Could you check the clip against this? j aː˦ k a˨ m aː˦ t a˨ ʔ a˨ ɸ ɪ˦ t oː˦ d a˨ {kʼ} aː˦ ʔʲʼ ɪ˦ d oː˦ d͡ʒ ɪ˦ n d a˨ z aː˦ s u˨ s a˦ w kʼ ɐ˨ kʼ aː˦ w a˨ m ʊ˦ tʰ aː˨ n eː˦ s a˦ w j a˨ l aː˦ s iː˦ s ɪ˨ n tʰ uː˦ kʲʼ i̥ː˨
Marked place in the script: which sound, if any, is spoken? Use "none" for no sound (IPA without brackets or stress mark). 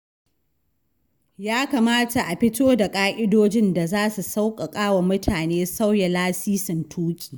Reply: kʼ